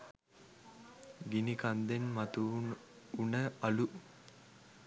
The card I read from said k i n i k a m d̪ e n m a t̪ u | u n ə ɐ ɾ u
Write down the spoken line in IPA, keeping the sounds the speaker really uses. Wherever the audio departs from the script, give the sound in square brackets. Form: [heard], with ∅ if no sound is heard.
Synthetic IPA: [ɡ] i n i k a [n] d̪ e n m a t̪ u | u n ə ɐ [l] u